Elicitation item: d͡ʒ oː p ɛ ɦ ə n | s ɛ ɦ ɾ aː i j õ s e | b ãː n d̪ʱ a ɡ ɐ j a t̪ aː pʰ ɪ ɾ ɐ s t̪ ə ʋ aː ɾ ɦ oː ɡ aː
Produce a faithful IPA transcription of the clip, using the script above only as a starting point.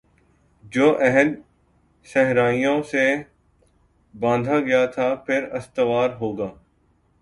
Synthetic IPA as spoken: d͡ʒ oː ʔ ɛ ɦ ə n | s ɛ ɦ ɾ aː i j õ s e | b ãː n d̪ʱ a ɡ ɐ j a t̪ʰ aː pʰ ɪ ɾ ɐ s t̪ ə ʋ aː ɾ ɦ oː ɡ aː